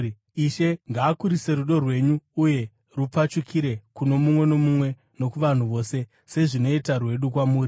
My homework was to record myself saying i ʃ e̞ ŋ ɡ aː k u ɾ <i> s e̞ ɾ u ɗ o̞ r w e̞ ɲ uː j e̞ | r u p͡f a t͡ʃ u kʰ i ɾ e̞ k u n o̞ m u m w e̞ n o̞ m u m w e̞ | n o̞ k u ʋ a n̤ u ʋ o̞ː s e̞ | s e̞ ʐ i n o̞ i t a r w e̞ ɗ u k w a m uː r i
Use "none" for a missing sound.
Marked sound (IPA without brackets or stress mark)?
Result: i